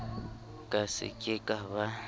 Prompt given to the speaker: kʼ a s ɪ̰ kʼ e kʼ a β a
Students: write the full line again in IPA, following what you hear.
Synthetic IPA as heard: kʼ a s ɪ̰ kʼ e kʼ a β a

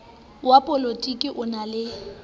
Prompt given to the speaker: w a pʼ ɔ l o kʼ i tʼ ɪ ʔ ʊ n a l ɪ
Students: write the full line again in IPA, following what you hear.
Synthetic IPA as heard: w a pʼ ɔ l o tʼ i kʼ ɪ ʔ ʊ n a l ɪ

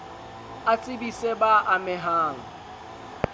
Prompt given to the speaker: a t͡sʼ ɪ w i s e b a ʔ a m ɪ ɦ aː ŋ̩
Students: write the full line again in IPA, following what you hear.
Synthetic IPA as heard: a t͡sʼ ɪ b i s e b a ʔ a m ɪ ɦ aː ŋ̩

